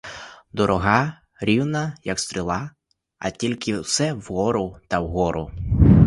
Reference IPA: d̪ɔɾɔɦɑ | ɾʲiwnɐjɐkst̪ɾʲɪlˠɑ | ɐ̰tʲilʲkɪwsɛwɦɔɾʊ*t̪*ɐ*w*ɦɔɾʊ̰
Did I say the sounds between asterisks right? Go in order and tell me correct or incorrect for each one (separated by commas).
correct, correct